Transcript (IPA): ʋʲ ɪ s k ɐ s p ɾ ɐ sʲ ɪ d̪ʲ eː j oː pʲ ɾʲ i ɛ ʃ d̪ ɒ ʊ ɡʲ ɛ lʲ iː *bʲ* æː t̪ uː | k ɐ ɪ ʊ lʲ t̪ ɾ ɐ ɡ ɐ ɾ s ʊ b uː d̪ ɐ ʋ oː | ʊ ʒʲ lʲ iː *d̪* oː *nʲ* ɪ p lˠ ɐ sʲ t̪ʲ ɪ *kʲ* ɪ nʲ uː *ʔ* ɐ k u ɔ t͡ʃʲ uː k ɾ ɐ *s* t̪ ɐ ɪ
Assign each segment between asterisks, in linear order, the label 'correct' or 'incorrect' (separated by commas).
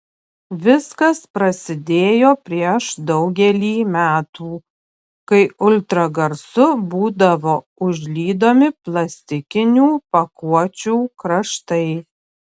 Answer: incorrect, correct, incorrect, correct, incorrect, incorrect